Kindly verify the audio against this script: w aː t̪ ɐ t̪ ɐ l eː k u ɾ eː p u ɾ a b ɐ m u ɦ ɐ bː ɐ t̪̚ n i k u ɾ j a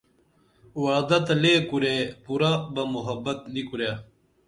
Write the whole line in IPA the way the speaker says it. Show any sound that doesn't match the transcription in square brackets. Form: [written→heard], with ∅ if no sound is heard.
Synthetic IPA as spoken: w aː [t̪→d̪] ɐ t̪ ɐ l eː k u ɾ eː p u ɾ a b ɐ m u ɦ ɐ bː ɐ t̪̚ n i k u ɾ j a